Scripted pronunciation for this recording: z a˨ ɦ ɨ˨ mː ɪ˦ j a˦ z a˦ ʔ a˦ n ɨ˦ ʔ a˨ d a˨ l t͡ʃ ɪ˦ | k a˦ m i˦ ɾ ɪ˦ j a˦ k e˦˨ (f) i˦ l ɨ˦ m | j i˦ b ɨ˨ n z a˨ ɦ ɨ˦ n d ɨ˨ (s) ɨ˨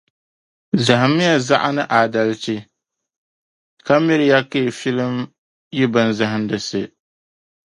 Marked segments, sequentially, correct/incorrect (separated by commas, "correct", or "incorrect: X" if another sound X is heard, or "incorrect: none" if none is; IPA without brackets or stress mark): correct, correct